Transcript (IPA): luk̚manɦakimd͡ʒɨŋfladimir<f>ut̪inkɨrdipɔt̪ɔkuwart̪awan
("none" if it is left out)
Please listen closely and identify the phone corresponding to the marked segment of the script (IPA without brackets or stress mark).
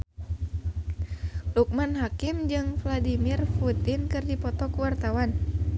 f